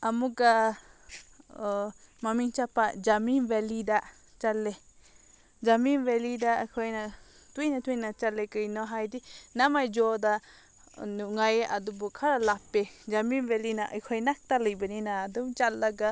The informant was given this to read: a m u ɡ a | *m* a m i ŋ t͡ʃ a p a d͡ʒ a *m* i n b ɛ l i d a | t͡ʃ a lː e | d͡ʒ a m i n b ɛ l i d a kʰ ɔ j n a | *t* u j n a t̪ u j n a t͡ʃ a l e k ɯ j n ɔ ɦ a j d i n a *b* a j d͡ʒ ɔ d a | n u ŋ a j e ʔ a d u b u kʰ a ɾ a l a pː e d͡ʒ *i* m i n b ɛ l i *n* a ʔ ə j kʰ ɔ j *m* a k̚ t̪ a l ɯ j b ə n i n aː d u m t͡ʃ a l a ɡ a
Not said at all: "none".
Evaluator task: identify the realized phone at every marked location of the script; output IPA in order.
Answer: m, m, t, m, a, n, n

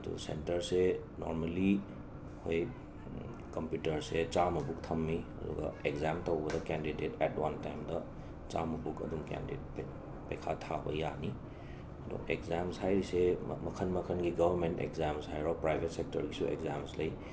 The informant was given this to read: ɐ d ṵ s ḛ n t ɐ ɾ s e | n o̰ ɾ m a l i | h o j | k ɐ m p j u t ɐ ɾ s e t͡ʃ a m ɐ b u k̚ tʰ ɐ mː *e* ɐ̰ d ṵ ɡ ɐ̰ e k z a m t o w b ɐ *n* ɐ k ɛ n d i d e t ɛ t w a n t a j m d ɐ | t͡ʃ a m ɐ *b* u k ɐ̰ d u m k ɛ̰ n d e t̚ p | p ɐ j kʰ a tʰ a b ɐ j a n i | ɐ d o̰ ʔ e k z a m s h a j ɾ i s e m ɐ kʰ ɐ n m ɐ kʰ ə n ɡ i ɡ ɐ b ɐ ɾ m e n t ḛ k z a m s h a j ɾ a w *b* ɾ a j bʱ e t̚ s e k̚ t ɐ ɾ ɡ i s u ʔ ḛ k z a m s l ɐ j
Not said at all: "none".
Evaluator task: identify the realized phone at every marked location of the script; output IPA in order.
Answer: i, d, b, p

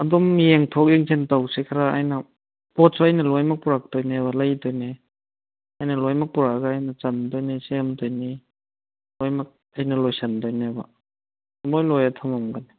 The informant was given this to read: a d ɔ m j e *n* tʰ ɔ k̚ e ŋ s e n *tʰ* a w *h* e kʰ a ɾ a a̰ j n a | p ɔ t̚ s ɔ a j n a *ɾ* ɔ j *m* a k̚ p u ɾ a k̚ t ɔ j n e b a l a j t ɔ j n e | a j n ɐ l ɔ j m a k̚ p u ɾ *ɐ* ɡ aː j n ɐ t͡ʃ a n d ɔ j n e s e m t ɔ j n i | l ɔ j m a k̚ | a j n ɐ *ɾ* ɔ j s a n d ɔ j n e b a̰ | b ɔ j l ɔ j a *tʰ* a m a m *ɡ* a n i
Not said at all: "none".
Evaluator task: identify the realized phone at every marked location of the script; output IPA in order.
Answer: ŋ, t, s, l, m, a, l, tʰ, ɡ

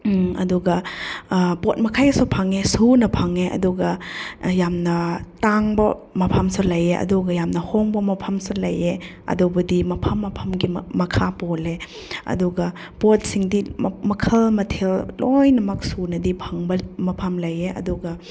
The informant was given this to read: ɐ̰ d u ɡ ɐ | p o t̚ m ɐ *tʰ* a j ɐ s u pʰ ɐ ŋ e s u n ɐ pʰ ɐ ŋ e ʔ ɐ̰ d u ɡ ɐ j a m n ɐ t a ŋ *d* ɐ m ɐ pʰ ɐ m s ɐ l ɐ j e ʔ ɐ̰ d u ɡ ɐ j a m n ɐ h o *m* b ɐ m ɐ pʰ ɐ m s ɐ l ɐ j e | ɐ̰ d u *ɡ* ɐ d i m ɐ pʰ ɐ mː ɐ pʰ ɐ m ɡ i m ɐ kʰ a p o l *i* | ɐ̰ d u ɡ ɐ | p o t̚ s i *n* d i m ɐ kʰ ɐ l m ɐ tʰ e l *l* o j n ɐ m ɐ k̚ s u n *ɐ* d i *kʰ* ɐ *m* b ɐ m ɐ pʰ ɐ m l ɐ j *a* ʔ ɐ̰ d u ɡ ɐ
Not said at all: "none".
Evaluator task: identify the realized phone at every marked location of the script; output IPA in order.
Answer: kʰ, b, ŋ, b, e, ŋ, l, ɐ, pʰ, ŋ, e

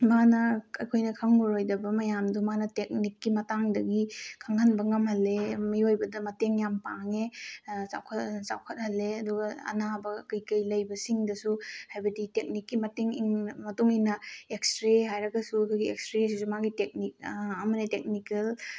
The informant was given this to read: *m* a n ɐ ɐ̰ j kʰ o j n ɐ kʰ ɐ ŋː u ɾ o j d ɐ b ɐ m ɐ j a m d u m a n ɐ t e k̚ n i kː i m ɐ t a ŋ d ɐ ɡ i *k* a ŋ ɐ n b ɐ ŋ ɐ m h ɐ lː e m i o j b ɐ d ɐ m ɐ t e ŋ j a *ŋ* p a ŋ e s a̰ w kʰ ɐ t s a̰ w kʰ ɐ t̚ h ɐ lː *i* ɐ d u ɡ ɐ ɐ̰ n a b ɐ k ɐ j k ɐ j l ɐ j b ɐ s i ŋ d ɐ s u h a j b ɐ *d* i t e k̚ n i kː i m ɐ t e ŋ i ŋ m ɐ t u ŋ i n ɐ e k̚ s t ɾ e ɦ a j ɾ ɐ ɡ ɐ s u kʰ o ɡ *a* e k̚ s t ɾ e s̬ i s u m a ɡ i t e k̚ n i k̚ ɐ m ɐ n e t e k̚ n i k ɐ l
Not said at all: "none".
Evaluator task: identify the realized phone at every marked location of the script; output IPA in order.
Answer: m, kʰ, m, e, d, i

